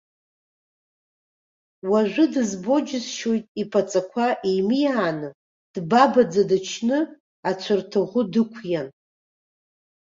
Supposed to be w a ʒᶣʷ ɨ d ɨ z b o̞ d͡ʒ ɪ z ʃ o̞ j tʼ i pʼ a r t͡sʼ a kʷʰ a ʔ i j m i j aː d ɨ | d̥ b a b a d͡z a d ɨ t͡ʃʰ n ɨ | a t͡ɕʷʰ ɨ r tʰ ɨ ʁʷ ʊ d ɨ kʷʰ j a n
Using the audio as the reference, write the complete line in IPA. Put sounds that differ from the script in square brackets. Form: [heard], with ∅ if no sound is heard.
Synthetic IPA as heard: w a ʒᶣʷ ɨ d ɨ z b o̞ d͡ʒ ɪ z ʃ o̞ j tʼ i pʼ a [∅] t͡sʼ a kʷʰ a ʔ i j m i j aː [n] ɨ | d̥ b a b a d͡z a d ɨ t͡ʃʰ n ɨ | a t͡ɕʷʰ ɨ r tʰ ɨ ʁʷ ʊ d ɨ kʷʰ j a n